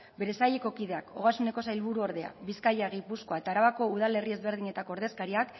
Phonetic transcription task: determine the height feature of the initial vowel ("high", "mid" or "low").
mid